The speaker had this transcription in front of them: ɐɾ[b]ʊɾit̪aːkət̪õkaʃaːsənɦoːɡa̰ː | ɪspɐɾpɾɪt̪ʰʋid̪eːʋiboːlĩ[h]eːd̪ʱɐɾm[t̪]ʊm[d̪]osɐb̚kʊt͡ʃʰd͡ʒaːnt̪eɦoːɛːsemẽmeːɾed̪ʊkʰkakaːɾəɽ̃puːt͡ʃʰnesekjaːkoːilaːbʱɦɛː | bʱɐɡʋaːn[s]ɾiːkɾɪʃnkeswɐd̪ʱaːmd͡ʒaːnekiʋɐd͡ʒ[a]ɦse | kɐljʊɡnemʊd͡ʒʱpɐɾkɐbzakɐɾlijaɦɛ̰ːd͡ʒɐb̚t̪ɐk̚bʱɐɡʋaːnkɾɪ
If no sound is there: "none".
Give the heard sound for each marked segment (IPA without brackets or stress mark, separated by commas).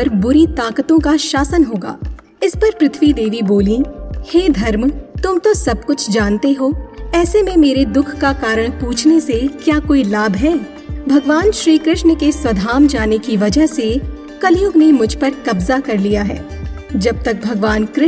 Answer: b, h, t̪, t̪, ʃ, ə